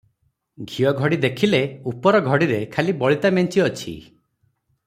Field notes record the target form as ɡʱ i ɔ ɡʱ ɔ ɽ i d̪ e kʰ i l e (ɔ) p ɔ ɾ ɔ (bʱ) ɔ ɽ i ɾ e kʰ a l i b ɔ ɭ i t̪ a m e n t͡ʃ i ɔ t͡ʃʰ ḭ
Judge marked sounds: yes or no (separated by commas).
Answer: no, no